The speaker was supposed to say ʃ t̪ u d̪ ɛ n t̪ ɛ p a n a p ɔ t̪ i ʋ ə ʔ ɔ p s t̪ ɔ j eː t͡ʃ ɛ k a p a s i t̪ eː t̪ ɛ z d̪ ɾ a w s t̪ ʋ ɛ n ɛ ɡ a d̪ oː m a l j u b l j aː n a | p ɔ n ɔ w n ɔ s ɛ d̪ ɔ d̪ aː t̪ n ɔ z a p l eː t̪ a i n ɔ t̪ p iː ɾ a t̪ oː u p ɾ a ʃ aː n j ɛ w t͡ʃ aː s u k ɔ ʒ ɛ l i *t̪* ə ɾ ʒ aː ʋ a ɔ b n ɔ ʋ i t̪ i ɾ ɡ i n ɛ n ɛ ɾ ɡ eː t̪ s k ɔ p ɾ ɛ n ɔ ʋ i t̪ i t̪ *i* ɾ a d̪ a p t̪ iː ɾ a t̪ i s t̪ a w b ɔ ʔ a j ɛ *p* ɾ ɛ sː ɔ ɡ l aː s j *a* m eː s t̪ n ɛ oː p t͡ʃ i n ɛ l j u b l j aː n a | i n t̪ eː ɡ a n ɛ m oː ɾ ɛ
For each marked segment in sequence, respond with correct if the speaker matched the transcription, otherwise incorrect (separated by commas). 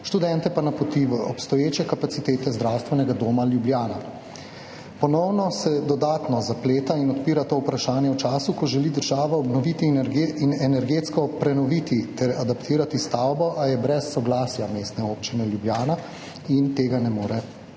incorrect, incorrect, incorrect, correct